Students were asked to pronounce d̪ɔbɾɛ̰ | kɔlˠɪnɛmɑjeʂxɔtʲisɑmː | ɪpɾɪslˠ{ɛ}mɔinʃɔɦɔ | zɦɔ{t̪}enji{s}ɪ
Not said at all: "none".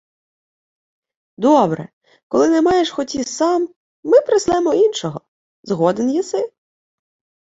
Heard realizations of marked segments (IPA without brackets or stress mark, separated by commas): ɛ, d̪, s